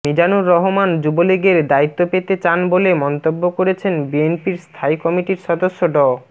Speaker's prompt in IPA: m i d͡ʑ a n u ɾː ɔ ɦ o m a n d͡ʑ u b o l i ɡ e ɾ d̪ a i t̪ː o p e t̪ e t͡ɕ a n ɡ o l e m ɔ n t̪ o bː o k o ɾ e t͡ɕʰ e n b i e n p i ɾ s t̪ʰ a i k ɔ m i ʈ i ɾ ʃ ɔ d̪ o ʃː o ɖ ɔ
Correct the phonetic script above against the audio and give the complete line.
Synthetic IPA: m i d͡ʑ a n u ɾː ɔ ɦ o m a n d͡ʑ u b o l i ɡ e ɾ d̪ a i t̪ː o p e t̪ e t͡ɕ a n b o l e m ɔ n t̪ o bː o k o ɾ e t͡ɕʰ e n b i e n p i ɾ s t̪ʰ a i k ɔ m i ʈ i ɾ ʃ ɔ d̪ o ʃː o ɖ ɔ